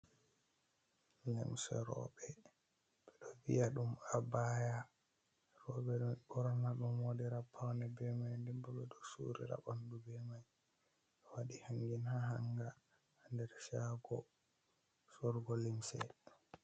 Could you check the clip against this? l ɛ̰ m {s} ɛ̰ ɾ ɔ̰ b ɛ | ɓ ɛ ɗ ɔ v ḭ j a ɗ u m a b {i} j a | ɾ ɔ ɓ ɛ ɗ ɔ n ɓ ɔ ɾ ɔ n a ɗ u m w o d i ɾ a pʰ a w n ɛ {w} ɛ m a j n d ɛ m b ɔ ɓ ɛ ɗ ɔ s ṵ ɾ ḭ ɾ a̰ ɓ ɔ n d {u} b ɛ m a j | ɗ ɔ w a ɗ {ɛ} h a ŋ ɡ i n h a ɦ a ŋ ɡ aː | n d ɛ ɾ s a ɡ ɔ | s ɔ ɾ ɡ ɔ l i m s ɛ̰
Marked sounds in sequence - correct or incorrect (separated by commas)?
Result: correct, incorrect, incorrect, correct, incorrect